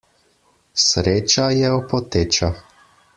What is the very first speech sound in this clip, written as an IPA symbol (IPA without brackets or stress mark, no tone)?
s